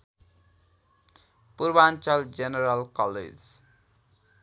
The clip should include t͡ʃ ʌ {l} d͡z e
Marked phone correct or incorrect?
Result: correct